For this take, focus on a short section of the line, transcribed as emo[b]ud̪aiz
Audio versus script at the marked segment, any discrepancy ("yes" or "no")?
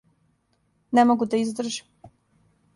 yes